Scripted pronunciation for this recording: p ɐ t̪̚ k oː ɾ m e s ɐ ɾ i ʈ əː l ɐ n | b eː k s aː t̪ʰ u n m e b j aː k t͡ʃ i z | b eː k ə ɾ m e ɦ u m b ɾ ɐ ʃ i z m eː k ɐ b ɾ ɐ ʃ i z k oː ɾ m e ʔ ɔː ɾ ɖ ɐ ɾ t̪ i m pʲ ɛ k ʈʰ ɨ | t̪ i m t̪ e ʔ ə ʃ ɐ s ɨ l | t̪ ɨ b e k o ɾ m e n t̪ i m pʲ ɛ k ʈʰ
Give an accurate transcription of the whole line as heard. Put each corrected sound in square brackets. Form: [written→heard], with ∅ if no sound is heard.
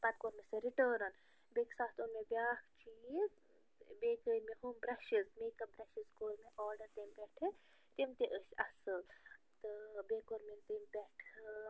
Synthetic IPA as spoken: p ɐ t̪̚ k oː ɾ m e s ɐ ɾ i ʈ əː [l→ɾ] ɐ n | b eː k s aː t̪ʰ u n m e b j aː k t͡ʃ i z | b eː k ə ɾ m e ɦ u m b ɾ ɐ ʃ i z m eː k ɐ b ɾ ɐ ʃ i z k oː ɾ m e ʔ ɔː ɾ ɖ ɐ ɾ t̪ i m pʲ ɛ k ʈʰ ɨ | t̪ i m t̪ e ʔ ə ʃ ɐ s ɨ l | t̪ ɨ b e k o ɾ m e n t̪ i m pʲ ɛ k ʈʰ